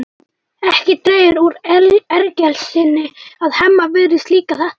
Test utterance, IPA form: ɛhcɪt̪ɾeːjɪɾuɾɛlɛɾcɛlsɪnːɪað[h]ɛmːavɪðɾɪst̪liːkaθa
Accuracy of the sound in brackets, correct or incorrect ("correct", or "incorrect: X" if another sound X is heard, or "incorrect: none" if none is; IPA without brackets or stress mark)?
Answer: correct